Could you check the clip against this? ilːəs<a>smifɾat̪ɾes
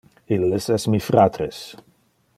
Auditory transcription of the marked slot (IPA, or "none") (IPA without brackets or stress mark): ɛ